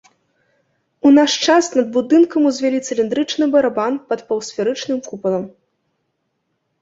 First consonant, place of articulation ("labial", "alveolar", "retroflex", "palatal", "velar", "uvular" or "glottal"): alveolar